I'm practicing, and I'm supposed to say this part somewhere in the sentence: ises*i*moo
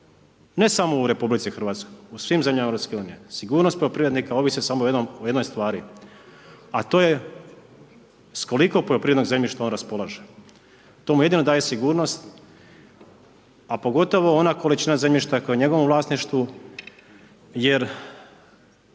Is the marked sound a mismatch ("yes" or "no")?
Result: yes